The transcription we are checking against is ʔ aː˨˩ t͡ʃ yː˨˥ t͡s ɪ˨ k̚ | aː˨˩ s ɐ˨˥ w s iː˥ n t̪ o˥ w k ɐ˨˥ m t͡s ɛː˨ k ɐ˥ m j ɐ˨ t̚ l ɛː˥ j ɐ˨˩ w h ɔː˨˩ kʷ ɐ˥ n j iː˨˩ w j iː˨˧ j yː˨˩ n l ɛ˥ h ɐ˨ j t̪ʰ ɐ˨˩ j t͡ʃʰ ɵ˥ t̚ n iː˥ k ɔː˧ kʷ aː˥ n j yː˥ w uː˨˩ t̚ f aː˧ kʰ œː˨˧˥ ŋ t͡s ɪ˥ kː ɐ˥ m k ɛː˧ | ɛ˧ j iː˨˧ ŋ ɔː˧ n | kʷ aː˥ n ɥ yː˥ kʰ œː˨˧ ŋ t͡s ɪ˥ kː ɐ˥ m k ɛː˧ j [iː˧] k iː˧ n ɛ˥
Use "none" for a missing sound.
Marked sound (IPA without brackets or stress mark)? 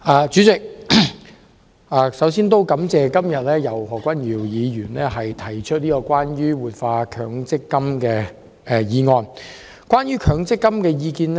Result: iː˧